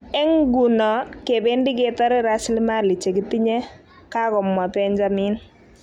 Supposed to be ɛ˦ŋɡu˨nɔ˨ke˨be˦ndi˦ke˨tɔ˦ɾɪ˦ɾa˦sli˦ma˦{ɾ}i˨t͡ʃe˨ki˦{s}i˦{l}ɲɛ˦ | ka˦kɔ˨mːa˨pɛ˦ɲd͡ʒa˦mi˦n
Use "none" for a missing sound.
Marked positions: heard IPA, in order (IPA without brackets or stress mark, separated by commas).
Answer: l, t, none